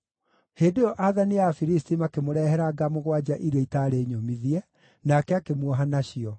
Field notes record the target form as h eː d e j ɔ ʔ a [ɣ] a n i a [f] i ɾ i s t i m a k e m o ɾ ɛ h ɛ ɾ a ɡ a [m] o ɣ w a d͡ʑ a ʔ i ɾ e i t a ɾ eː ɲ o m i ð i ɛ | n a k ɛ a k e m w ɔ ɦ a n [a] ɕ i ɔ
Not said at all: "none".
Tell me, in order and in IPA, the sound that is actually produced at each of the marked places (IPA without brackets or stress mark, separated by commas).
ð, f, m, a